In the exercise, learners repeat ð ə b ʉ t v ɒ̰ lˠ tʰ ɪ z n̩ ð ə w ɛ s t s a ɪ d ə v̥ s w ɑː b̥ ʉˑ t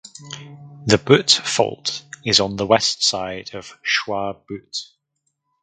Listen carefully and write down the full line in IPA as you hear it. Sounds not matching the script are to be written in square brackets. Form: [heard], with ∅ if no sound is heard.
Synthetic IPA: ð ə b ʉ t [f] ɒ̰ lˠ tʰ ɪ z n̩ ð ə w ɛ s t s a ɪ d ə v̥ [ʃ] w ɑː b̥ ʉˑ t